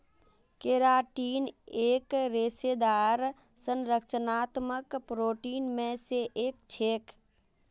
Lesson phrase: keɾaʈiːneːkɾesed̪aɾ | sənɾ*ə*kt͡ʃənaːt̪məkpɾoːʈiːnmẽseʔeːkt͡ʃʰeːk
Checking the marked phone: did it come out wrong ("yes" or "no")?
no